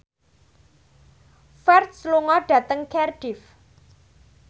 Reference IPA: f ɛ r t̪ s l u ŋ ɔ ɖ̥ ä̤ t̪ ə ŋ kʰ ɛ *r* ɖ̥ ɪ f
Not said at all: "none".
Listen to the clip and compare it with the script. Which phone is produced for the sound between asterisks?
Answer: r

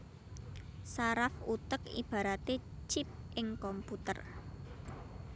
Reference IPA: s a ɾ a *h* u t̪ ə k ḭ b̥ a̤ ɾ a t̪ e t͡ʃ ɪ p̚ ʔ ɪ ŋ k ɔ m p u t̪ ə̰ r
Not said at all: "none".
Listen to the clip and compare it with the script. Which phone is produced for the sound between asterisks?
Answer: f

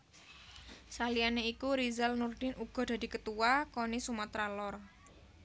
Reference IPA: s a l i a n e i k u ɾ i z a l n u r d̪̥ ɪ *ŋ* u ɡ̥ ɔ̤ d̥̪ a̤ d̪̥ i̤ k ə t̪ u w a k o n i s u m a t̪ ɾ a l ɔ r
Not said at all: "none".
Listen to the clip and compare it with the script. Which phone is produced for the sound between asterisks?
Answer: n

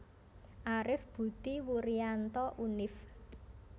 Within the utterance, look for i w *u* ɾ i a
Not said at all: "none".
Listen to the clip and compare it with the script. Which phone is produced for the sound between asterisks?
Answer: u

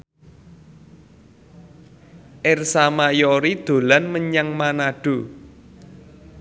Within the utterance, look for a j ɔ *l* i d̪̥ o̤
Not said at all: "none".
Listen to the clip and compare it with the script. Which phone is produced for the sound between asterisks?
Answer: ɾ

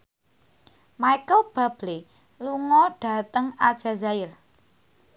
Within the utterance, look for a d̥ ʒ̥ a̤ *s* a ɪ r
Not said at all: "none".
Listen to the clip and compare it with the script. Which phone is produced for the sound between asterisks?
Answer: z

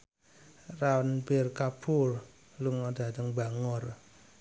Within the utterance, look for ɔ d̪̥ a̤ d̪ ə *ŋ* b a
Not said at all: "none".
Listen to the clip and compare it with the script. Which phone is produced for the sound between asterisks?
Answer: ŋ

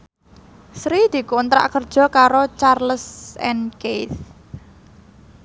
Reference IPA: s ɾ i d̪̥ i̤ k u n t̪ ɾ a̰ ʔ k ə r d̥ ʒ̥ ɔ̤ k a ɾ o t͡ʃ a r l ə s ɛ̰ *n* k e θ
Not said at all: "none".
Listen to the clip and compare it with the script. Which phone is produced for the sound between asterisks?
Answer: n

